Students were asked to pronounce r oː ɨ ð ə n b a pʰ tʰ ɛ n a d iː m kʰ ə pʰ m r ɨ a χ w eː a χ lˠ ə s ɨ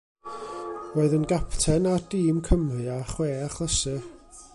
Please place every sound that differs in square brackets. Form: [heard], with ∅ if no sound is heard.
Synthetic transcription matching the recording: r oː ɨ ð ə n [ɡ] a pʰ tʰ ɛ n a d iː m kʰ ə [∅] m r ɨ a χ w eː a χ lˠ ə s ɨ

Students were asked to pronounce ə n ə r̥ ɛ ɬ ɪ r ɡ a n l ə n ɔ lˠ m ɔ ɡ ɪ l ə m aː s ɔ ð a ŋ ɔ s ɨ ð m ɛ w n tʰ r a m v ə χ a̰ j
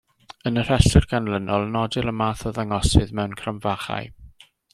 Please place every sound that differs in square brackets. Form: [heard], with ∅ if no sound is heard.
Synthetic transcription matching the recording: ə n ə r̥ ɛ ɬ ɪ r ɡ a n l ə n ɔ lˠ [n] ɔ [d] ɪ l ə m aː [θ] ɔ ð a ŋ ɔ s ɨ ð m ɛ w n [kʰ] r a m v [a] χ a̰ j

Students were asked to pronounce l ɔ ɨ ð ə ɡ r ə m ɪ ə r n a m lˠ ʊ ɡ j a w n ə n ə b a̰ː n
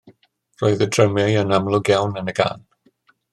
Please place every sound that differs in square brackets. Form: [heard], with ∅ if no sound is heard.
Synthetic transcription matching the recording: [r] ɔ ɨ ð ə [d] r ə m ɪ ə [∅] n a m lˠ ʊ ɡ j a w n ə n ə [ɡ] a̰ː n

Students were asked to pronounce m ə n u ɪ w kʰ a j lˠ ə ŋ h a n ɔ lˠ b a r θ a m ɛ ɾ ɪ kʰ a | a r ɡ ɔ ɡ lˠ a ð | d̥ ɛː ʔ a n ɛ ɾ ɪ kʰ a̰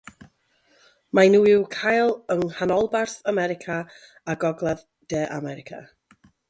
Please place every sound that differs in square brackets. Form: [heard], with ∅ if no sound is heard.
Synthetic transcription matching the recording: m [a] n u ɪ w kʰ a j lˠ ə ŋ h a n ɔ lˠ b a r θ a m ɛ ɾ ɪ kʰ a | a [∅] ɡ ɔ ɡ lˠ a ð | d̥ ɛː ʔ a [m] ɛ ɾ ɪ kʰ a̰

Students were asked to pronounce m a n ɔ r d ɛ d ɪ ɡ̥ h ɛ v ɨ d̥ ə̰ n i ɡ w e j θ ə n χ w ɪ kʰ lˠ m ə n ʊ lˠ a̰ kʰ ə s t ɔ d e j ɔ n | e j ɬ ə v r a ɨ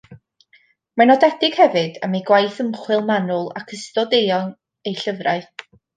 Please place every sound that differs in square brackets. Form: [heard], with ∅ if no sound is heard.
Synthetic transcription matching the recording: m a n ɔ [∅] d ɛ d ɪ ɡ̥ h ɛ v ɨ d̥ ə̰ [m] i ɡ w [a] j θ ə [m] χ w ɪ [∅] lˠ m [a] n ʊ lˠ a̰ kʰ ə s t ɔ d e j ɔ n | e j ɬ ə v r a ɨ

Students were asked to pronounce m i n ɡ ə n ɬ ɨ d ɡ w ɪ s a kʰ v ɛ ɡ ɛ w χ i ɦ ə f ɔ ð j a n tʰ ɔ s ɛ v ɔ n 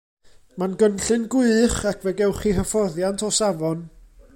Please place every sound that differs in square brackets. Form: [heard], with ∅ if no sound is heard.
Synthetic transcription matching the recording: m [a] n ɡ ə n ɬ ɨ [n] ɡ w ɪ [χ] a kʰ v ɛ ɡ ɛ w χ i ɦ ə f ɔ ð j a n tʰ ɔ s [a] v ɔ n

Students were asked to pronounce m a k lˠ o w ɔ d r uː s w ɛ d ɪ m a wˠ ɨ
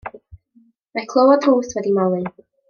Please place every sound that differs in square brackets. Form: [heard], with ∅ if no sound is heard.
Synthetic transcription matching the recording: m a [kʰ] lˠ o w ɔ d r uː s w ɛ d [i] m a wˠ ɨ

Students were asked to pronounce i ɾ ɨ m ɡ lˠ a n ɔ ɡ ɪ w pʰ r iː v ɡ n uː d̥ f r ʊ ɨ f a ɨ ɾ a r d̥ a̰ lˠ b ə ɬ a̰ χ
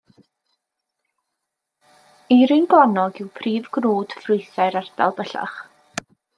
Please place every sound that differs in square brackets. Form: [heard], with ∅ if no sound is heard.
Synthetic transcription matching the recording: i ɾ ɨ [n] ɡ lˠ a n ɔ ɡ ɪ w pʰ r iː v ɡ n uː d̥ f r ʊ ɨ [θ] a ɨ ɾ a r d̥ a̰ lˠ b ə ɬ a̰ χ

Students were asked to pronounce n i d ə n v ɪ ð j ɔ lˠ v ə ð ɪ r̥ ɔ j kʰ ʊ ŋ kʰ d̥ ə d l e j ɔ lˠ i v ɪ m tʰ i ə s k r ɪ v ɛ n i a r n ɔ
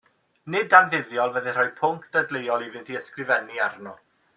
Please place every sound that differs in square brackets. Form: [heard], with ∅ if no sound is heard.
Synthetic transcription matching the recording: n [ɪ] d [a] n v ɪ ð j ɔ lˠ v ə ð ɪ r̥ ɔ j [pʰ] ʊ ŋ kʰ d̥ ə d l e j ɔ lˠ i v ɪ [n] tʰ i ə s k r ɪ v ɛ n i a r n ɔ

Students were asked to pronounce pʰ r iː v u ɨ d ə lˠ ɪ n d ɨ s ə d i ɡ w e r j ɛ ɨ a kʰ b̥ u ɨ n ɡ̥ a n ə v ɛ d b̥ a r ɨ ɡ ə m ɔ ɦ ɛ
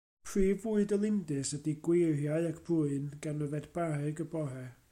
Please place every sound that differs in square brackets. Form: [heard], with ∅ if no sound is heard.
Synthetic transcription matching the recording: pʰ r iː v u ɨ d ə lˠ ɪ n d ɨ s ə d i ɡ w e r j [a] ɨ a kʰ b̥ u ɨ n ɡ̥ a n ə v ɛ d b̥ a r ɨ ɡ ə [b] ɔ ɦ ɛ

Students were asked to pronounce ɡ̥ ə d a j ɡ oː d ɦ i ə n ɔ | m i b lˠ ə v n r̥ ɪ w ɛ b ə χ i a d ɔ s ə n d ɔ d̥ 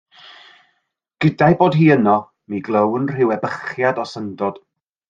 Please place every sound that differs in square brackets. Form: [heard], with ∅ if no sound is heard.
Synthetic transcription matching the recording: ɡ̥ ə d a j [b] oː d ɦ [iː] ə n ɔ | m i [ɡ] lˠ ə [w] n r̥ ɪ w ɛ b ə χ [j] a d ɔ s ə n d ɔ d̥

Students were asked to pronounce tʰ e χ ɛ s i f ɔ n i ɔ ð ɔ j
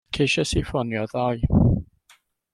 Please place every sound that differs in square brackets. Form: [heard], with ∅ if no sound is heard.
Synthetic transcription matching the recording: [kʰ] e [ʃ] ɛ s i f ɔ n [j] ɔ ð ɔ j

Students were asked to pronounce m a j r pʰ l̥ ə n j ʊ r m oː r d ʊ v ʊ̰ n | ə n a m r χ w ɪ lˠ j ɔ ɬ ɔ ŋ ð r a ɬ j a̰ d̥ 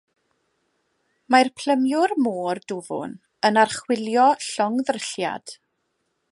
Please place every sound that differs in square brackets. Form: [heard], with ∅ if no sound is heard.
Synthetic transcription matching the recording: m a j r pʰ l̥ ə [m] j ʊ r m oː r d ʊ v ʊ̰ n | ə n a [∅] r χ w ɪ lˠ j ɔ ɬ ɔ ŋ ð r [ə] ɬ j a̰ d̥

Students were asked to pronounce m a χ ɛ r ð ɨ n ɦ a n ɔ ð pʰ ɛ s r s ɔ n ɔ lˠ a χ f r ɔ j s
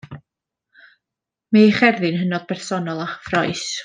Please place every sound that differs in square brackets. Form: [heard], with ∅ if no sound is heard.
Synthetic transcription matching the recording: m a χ ɛ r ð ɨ n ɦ [ə] n ɔ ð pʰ ɛ [∅] r s ɔ n ɔ lˠ a χ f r ɔ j s

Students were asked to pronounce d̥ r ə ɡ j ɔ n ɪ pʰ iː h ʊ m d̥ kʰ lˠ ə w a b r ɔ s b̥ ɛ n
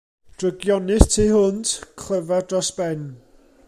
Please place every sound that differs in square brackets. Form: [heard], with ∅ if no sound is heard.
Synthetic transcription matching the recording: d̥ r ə ɡ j ɔ n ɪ [tʰ] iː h ʊ [n] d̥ kʰ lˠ ə [v] a [d] r ɔ s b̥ ɛ n

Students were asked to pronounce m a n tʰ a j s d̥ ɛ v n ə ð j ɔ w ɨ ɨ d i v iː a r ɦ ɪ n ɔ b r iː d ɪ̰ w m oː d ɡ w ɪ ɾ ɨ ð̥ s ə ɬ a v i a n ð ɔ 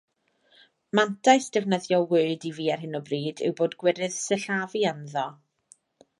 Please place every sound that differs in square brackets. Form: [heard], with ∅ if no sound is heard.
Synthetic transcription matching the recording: m a n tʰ a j s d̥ ɛ v n ə ð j ɔ w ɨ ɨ d i v iː a r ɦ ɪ n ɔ b r iː d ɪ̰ w [b] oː d ɡ w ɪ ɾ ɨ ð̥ s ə ɬ a v i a n ð ɔ

